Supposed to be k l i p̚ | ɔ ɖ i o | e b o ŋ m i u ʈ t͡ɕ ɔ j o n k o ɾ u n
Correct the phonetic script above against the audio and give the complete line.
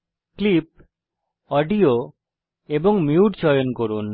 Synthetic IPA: k l i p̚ | ɔ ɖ i o | e b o ŋ m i u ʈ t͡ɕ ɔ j o n k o ɾ u n